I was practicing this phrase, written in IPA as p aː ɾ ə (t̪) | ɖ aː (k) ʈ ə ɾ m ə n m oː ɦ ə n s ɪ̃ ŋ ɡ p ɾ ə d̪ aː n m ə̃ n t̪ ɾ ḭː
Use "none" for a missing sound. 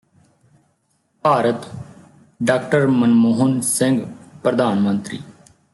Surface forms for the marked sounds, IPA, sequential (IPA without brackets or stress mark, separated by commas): t̪, k